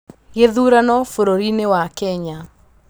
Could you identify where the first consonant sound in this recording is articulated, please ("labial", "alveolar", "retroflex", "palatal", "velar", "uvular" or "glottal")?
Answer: velar